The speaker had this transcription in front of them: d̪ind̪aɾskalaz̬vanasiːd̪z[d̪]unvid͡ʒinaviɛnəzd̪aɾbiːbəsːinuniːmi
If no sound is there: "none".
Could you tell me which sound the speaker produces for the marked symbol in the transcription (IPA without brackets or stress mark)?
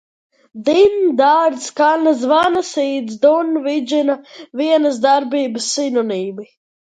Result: d̪